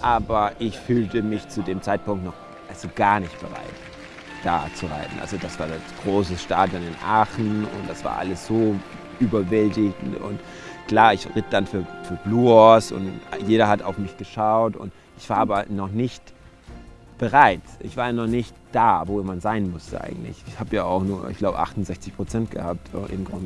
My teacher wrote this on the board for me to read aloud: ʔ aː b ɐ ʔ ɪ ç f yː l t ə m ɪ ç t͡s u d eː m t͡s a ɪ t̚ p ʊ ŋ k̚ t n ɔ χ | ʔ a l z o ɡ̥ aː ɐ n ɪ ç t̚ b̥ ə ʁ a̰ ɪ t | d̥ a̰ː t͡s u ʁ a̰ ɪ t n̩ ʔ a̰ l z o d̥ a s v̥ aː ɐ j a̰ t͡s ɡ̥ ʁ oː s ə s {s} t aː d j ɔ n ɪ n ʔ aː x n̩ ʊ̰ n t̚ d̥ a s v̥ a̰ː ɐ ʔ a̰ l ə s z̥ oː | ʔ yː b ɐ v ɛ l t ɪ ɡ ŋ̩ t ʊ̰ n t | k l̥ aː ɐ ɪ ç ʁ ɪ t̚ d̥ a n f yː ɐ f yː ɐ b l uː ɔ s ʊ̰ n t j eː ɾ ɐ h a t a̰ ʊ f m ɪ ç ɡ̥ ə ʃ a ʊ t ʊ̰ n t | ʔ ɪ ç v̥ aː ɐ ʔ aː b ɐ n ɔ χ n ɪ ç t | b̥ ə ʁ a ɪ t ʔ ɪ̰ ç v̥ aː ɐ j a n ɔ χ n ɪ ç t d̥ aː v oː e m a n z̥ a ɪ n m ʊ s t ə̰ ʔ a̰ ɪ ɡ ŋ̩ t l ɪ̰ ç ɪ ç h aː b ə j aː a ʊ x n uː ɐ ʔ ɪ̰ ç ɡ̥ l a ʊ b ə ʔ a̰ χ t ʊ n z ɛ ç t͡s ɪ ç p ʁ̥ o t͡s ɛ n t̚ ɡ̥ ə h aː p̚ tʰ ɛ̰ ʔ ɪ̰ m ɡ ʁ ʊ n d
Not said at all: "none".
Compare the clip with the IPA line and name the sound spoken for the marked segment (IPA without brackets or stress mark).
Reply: ʃ